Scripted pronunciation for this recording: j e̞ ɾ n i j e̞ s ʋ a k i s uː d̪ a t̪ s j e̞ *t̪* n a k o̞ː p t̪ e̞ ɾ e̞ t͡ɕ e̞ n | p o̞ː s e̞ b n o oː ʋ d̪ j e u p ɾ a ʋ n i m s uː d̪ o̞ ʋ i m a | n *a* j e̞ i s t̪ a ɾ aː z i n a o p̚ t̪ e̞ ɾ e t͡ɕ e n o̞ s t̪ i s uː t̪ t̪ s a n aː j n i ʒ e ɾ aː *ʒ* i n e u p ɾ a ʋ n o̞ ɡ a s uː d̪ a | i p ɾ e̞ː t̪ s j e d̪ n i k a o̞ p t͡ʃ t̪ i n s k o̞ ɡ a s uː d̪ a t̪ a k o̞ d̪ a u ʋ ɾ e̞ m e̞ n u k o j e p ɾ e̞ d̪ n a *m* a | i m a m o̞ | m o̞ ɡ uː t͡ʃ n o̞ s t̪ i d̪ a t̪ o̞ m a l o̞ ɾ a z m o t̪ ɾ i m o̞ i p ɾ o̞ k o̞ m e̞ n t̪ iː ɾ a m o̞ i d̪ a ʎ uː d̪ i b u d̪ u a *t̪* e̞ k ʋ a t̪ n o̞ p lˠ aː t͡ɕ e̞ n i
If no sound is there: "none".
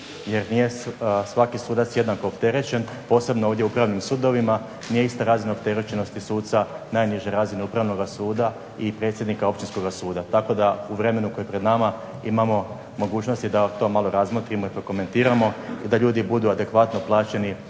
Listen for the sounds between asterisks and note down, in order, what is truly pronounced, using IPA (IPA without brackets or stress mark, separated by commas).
d̪, i, z, m, d̪